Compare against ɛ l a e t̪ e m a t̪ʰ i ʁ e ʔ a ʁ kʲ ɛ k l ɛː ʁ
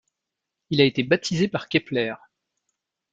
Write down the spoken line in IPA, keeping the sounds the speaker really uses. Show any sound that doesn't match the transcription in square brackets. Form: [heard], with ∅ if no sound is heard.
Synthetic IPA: [i] l a e t̪ e [b] a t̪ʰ i [z] e [p] a ʁ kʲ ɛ [p] l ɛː ʁ